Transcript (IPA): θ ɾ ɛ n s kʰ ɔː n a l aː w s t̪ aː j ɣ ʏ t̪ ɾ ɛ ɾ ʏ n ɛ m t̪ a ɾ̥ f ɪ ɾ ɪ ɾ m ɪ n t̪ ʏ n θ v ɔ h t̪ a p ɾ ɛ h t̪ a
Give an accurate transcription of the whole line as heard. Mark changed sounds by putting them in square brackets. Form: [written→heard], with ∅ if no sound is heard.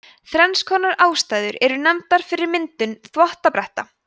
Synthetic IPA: θ ɾ ɛ n s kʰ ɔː n a [l→ɾ] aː w s t̪ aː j [ɣ→ð] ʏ [t̪→∅] ɾ ɛ ɾ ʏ n ɛ m t̪ a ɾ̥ f ɪ ɾ ɪ ɾ m ɪ n t̪ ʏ n θ v ɔ h t̪ a p ɾ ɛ h t̪ a